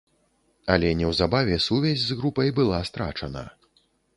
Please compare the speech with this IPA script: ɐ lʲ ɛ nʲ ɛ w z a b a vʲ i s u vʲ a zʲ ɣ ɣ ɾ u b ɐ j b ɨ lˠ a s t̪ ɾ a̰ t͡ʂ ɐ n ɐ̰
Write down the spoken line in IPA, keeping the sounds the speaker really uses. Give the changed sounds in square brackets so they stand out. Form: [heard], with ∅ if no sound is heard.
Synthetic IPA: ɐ lʲ ɛ nʲ ɛ w z a b a vʲ [ɛ] s u vʲ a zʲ [z] ɣ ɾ u [p] ɐ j b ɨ lˠ a s t̪ ɾ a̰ t͡ʂ ɐ n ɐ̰